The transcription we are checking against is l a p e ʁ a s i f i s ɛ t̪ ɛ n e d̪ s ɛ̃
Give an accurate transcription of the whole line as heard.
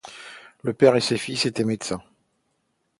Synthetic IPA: l ə p ɛ ʁ e s e f i s e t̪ ɛ m e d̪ s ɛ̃

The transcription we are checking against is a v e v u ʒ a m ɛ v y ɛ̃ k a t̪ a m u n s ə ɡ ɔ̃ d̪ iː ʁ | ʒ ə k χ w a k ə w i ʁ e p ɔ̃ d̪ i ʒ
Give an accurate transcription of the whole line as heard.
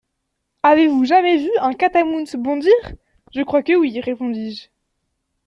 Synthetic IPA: a v e v u ʒ a m ɛ v y ɛ̃ k a t̪ a m u n s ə b ɔ̃ d̪ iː ʁ | ʒ ə k χ w a k ə w i ʁ e p ɔ̃ d̪ i ʒ

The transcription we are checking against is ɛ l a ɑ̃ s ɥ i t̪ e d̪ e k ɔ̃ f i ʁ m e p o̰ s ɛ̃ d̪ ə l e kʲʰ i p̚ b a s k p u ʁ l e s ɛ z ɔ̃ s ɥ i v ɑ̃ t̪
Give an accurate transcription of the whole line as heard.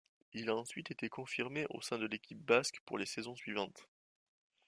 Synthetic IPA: i l a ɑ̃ s ɥ i t̪ e t̪ e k ɔ̃ f i ʁ m e ʔ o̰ s ɛ̃ d̪ ə l e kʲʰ i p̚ b a s k p u ʁ l e s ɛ z ɔ̃ s ɥ i v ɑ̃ t̪

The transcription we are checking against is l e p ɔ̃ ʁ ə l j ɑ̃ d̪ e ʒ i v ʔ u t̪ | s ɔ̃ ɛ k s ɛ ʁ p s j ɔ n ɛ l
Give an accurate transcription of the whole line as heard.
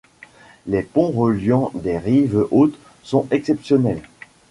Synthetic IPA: l e p ɔ̃ ʁ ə l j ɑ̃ d̪ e ʁ i v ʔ o t̪ | s ɔ̃ ɛ k s ɛ p s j ɔ n ɛ l

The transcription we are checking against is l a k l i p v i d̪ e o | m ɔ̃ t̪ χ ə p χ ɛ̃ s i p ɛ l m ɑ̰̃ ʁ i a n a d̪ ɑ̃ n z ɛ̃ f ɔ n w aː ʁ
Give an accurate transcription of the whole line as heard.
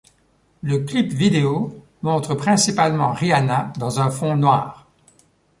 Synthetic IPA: l ə k l i p v i d̪ e o | m ɔ̃ t̪ χ ə p χ ɛ̃ s i p a l m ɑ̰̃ ʁ i a n a d̪ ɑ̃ z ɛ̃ f ɔ̃ n w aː ʁ

